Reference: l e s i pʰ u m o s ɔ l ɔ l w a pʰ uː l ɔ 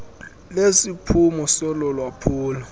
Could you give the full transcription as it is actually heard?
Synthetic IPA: l e s i pʰ u m ɔ s ɔ l ɔ l w a pʰ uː l ɔ